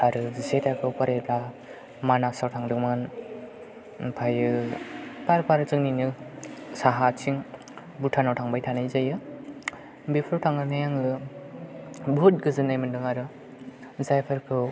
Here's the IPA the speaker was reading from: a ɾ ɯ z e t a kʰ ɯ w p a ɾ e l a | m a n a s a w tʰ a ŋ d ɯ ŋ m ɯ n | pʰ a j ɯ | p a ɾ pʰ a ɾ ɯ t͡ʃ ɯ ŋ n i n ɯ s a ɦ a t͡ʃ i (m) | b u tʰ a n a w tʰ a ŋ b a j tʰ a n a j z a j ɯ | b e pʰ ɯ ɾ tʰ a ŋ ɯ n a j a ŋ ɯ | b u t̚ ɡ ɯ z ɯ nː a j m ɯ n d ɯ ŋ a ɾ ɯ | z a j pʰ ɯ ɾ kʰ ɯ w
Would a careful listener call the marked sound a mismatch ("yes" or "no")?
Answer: yes